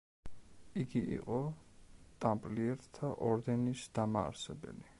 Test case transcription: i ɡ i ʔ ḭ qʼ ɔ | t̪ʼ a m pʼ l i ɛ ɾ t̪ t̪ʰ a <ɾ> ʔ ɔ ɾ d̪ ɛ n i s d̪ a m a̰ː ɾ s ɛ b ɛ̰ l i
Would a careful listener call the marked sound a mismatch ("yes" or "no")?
yes